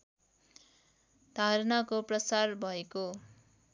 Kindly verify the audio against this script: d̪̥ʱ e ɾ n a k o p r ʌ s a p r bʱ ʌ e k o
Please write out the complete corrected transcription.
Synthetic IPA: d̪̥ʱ a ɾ n a k o p r ʌ s a r bʱ ʌ e k o